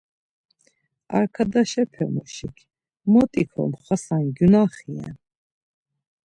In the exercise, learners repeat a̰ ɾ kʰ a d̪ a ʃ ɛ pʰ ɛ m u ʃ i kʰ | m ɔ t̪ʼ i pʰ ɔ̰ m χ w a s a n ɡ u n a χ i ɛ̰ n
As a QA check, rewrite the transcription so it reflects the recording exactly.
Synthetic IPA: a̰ ɾ kʰ a d̪ a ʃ ɛ pʰ ɛ m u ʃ i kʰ | m ɔ t̪ʼ i kʰ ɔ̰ m χ w a s a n ɡ u n a χ i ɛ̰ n